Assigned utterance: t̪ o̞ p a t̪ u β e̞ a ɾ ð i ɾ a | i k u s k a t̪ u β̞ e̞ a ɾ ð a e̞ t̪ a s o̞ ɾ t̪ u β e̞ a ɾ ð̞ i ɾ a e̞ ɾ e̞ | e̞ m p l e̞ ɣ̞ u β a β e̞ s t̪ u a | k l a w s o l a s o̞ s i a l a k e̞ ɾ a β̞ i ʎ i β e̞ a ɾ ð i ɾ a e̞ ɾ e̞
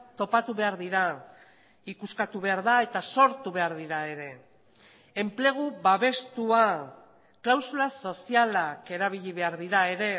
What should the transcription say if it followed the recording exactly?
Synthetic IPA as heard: t̪ o̞ p a t̪ u β e̞ a ɾ ð i ɾ a | i k u s k a t̪ u β̞ e̞ a ɾ ð a e̞ t̪ a s o̞ ɾ t̪ u β e̞ a ɾ ð̞ i ɾ a e̞ ɾ e̞ | e̞ m p l e̞ ɣ̞ u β a β e̞ s t̪ u a | k l a w s u l a s o̞ s i a l a k e̞ ɾ a β̞ i ʎ i β e̞ a ɾ ð i ɾ a e̞ ɾ e̞